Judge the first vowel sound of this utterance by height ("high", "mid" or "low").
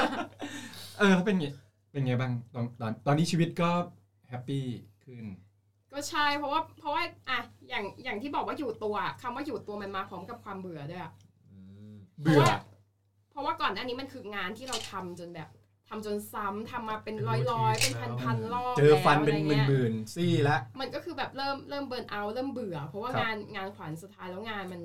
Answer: mid